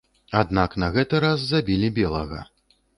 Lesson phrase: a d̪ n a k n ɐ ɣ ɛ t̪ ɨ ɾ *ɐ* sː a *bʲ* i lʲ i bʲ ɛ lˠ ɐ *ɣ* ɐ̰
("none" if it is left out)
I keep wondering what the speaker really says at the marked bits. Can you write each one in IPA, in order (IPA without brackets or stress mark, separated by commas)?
a, bʲ, ɣ